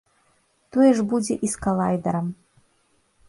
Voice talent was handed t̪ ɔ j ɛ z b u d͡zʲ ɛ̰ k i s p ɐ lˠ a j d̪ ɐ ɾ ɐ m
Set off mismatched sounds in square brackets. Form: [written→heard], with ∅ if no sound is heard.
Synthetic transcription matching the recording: t̪ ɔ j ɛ [z→ʐ] b u d͡zʲ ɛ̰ [k→ʔ] i s [p→k] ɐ lˠ a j d̪ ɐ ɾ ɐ m